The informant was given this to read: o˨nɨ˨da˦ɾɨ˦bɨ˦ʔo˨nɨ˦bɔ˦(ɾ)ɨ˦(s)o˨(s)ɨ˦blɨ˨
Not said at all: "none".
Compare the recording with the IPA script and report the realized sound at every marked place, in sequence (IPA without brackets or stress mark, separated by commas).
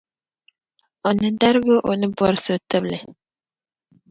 ɾ, s, t